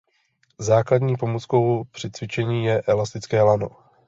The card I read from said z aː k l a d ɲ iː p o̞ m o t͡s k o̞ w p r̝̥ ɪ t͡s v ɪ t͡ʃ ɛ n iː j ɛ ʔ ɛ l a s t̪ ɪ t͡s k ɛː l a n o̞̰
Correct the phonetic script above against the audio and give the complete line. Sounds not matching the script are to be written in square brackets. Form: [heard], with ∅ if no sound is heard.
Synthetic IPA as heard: z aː k l a d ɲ iː p o̞ m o t͡s k o̞ w p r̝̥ ɪ t͡s v ɪ t͡ʃ ɛ [ɲ] iː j ɛ ʔ ɛ l a s t̪ ɪ t͡s k ɛː l a n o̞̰